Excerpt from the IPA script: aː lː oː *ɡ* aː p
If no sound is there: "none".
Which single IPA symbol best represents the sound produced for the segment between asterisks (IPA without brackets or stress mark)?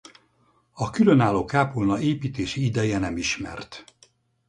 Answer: k